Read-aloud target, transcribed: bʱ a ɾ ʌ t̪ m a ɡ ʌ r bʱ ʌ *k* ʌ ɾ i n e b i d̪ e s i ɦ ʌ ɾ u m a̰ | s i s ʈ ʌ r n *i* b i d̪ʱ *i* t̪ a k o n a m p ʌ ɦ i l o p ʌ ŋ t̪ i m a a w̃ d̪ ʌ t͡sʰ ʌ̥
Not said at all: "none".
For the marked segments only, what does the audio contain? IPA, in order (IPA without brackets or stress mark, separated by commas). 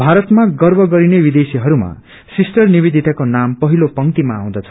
ɡ, i, i